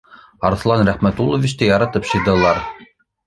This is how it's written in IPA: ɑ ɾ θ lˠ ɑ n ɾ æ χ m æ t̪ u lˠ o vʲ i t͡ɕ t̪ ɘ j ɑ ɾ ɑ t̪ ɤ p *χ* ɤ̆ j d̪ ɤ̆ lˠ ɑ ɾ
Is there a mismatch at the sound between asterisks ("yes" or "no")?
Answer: yes